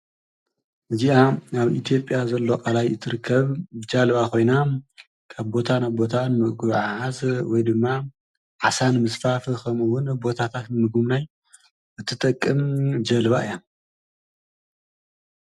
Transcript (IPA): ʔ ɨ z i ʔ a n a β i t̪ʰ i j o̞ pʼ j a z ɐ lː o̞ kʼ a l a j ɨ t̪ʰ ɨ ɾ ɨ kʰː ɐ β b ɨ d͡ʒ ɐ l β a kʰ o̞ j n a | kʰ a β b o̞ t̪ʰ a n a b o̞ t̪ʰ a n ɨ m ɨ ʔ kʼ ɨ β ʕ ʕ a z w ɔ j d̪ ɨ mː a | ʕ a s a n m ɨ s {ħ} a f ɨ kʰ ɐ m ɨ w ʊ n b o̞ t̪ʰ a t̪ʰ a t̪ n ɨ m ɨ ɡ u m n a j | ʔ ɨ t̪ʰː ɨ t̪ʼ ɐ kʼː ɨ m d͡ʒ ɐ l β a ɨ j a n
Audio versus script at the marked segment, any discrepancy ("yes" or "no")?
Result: yes